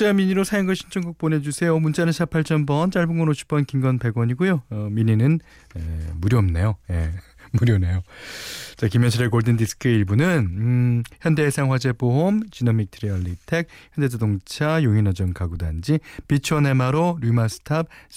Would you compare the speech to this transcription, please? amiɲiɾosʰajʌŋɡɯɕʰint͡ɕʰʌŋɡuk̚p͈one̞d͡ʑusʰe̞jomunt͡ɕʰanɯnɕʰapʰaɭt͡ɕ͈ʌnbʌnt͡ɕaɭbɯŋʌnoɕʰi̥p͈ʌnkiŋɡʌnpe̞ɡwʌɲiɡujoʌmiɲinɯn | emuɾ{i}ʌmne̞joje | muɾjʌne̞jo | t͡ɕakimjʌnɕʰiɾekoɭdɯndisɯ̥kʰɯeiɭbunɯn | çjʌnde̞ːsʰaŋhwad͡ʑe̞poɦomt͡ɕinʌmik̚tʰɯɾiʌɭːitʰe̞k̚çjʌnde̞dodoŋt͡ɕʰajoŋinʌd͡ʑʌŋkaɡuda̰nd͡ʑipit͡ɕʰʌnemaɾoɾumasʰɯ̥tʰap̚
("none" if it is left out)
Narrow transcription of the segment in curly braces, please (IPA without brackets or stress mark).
j